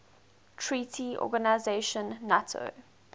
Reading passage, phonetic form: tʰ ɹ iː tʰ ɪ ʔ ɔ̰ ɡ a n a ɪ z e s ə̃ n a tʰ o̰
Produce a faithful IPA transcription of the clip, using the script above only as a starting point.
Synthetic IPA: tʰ ɹ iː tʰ i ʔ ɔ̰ ɡ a n a ɪ z e ʃ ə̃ nː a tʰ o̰